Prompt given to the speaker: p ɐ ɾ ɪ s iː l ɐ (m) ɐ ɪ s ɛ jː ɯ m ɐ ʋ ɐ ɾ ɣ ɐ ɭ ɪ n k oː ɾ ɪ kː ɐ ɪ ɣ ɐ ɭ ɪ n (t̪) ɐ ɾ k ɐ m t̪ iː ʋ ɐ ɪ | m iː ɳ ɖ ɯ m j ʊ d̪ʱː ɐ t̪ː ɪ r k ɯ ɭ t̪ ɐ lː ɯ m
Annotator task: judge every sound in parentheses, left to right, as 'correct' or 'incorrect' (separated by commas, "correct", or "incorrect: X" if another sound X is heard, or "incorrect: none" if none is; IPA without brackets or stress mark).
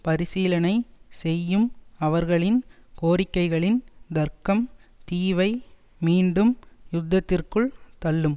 incorrect: n, incorrect: d̪